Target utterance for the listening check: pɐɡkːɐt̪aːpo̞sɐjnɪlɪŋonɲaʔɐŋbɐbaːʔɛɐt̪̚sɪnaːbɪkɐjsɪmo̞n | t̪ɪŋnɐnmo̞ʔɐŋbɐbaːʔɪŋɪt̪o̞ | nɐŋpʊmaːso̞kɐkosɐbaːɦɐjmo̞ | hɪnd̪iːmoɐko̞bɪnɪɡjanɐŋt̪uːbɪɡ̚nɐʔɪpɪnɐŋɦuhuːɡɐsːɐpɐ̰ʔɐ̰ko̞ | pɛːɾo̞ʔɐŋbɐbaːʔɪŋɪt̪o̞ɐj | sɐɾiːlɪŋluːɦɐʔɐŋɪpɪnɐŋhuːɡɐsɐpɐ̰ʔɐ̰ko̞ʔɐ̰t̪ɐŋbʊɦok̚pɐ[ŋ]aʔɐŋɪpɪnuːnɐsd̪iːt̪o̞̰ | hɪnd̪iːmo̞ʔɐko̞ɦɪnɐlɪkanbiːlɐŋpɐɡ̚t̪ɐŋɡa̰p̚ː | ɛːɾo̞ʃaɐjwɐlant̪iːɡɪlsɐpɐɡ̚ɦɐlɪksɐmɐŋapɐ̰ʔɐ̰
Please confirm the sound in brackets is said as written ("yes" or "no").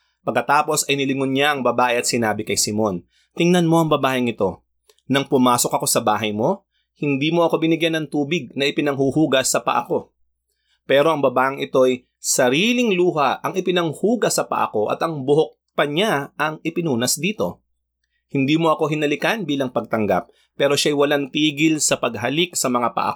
no